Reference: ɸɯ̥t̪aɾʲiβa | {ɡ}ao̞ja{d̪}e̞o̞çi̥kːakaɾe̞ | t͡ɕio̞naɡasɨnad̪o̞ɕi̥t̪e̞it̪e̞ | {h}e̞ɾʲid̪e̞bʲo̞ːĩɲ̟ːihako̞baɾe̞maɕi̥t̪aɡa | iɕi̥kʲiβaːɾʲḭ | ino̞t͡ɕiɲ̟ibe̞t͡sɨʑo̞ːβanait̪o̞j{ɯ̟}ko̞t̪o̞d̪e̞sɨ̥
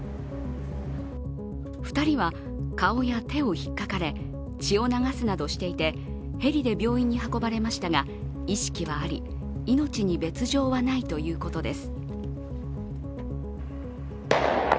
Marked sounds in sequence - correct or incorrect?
incorrect: k, incorrect: t̪, correct, incorrect: ɯ̟ː

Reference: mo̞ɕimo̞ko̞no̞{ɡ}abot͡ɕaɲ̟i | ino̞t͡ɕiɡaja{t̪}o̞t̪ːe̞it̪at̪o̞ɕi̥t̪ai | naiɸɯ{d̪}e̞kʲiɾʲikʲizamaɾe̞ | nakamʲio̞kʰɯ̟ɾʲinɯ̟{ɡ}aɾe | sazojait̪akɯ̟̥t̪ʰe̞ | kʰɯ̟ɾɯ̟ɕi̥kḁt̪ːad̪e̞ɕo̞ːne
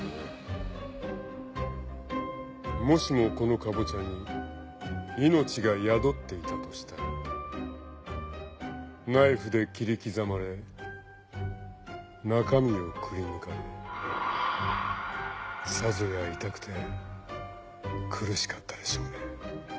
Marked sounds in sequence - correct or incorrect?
incorrect: k, incorrect: d̪, correct, incorrect: k

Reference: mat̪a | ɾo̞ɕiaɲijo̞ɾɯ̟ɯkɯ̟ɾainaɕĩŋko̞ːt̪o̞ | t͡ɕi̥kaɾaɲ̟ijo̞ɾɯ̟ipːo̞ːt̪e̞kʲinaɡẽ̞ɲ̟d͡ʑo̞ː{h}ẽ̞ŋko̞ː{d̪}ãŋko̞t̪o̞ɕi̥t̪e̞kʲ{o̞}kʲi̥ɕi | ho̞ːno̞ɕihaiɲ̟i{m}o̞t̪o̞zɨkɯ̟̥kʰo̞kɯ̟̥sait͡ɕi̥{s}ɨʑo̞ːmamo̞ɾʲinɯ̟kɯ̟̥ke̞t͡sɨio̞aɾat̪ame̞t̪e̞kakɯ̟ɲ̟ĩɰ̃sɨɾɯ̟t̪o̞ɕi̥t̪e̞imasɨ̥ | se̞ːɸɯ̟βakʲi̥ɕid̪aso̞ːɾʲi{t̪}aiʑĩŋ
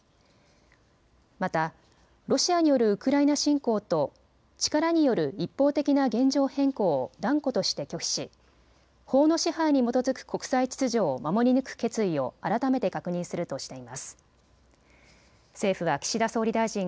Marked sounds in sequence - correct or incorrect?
correct, correct, correct, correct, incorrect: t͡s, incorrect: d̪

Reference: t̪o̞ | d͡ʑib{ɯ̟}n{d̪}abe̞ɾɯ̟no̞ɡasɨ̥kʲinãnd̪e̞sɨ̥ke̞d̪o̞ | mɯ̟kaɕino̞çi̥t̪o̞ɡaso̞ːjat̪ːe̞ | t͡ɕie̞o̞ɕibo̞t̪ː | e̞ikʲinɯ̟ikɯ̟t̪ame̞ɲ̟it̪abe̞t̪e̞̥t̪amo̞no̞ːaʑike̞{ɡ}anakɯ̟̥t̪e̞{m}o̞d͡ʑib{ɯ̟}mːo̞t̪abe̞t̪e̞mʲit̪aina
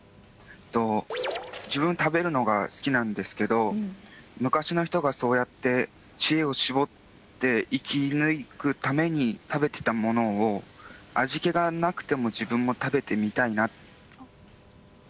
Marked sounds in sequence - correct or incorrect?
incorrect: ɯ̟̃, incorrect: t̪, correct, correct, incorrect: ɯ̟̃

